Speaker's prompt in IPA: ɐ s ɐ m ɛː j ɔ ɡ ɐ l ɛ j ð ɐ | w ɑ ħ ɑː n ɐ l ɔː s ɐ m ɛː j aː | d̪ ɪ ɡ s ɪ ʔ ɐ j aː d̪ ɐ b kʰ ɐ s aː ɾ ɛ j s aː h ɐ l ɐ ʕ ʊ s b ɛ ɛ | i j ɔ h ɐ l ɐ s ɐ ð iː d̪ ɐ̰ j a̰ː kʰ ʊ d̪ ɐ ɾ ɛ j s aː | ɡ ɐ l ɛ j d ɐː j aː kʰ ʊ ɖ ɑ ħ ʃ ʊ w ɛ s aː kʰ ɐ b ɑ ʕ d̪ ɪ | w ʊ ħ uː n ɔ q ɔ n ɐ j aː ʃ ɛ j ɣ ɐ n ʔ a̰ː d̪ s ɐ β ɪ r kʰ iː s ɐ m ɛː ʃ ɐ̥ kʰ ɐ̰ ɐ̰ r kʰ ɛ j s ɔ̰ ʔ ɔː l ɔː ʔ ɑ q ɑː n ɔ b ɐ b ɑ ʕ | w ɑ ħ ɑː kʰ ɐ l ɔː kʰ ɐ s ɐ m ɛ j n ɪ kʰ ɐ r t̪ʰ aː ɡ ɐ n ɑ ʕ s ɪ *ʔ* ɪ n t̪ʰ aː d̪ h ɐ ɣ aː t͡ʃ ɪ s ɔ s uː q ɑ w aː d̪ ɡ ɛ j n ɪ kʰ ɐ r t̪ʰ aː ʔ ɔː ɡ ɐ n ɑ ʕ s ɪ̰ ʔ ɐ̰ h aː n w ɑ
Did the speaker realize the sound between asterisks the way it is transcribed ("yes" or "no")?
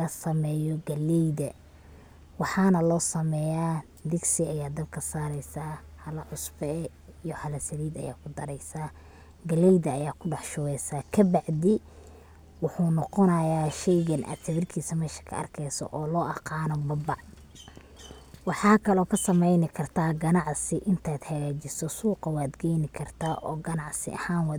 yes